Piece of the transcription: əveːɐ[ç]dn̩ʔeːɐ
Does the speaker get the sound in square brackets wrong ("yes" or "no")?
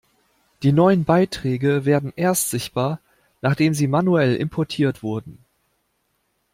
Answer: yes